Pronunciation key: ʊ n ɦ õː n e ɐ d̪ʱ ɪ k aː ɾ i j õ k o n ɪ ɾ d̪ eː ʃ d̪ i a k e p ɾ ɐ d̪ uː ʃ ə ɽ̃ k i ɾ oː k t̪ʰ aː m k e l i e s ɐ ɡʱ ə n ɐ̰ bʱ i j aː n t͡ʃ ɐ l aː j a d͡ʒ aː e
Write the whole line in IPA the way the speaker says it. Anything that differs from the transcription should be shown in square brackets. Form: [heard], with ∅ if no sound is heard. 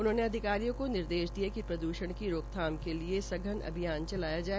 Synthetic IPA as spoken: ʊ n ɦ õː n e ɐ d̪ʱ ɪ k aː ɾ i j õ k o n ɪ ɾ d̪ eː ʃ d̪ i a k [i] p ɾ ɐ d̪ uː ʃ ə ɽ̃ k i ɾ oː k t̪ʰ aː m k e l i e s ɐ ɡʱ ə n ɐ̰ bʱ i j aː n t͡ʃ ɐ l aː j a d͡ʒ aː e